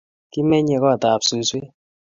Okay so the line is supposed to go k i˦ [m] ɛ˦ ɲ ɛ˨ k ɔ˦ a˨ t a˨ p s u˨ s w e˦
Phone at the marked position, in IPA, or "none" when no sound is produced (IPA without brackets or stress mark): m